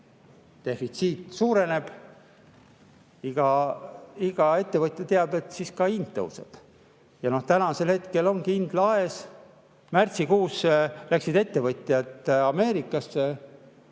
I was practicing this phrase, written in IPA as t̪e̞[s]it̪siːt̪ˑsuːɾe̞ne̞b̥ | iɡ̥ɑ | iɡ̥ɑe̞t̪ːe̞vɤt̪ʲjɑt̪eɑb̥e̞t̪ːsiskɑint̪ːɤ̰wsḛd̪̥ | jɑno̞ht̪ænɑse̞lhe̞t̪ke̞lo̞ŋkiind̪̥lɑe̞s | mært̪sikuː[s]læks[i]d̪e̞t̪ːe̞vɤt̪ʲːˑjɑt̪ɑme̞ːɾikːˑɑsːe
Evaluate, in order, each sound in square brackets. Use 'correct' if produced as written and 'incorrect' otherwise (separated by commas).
incorrect, correct, correct